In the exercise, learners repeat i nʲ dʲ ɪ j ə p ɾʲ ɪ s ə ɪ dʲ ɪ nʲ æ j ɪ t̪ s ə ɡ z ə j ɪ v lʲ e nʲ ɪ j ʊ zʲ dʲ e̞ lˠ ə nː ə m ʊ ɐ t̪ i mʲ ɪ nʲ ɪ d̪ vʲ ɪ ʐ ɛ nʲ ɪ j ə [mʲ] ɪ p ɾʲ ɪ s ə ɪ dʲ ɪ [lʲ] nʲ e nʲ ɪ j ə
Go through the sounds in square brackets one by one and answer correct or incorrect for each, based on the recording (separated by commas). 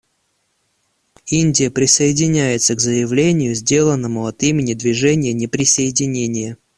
incorrect, incorrect